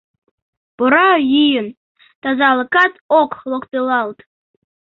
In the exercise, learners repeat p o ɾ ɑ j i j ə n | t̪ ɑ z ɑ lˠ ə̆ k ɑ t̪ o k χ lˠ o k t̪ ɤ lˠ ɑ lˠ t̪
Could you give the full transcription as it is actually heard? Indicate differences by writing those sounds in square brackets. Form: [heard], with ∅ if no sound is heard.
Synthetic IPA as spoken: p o ɾ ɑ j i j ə n | t̪ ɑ z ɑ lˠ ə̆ k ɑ t̪ o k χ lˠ o k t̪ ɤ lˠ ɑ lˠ t̪

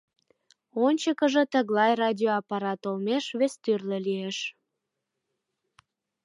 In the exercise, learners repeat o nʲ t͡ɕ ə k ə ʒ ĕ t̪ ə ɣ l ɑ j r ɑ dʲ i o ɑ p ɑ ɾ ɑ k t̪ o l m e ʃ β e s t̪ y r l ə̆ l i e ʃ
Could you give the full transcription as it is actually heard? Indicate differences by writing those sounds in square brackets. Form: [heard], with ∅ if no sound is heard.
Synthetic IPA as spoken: o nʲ t͡ɕ ə k ə ʒ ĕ t̪ ə ɣ l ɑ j r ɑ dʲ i o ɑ p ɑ ɾ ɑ [∅] t̪ o l m e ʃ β e s t̪ y r l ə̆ l i e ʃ

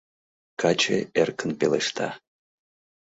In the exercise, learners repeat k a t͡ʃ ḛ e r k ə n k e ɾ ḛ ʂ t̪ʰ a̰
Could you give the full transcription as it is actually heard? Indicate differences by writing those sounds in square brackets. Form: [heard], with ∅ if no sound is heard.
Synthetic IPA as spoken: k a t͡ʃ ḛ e r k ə n [p] e [l] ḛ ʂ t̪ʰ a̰

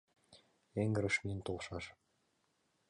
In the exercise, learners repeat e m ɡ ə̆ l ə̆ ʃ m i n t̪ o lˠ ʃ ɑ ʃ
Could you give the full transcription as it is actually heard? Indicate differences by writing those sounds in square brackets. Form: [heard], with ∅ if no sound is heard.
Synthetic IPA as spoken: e [ŋ] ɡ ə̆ [ɾ] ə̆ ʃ m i n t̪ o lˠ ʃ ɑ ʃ

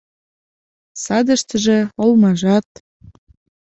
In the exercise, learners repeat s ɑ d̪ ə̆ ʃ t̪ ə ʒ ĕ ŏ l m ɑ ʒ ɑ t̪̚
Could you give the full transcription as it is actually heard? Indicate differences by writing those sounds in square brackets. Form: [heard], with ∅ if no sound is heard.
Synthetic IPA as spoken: s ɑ d̪ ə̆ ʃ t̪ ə ʒ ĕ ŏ l m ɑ ʒ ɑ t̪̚

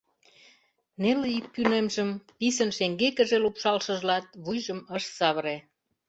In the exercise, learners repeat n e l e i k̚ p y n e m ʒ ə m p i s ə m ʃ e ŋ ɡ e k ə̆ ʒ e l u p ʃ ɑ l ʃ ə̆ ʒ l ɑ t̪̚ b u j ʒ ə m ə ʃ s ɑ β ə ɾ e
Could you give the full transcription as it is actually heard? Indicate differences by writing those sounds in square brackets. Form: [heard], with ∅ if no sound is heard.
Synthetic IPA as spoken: n e l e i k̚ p y n e m ʒ ə m p i s ə [n] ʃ e ŋ ɡ e k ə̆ ʒ e l u p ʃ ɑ l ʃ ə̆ ʒ l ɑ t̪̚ [β] u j ʒ ə m ə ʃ s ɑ β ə ɾ e

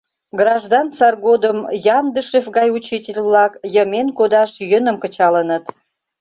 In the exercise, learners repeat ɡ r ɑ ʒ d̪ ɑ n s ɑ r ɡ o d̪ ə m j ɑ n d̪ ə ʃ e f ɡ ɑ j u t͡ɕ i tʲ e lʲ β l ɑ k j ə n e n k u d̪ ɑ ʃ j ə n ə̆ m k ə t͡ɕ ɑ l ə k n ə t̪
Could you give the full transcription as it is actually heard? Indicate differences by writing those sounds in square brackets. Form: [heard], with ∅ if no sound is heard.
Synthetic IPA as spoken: ɡ r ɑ ʒ d̪ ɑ n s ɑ r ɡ o d̪ ə m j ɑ n d̪ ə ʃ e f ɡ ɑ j u t͡ɕ i tʲ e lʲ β l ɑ k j ə [m] e n k [o] d̪ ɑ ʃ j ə n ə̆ m k ə t͡ɕ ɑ l ə [∅] n ə t̪

